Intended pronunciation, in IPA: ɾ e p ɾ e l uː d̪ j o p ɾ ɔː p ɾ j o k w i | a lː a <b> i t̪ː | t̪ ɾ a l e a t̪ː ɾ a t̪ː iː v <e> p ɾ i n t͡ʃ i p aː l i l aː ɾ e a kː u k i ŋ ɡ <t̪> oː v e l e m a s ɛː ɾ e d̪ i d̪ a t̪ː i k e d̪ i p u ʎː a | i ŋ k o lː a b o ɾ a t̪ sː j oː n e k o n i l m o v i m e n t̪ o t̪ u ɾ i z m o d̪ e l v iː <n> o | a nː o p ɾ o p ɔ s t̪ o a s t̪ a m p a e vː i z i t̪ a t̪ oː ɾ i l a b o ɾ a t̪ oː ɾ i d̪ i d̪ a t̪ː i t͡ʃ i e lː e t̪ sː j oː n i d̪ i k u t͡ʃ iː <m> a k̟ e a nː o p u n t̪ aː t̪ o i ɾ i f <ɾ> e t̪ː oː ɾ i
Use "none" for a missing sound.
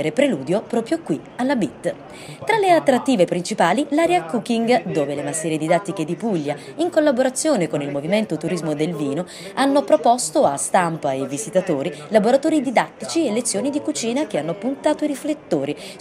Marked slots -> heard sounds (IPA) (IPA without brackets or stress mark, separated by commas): b, e, d̪, n, n, l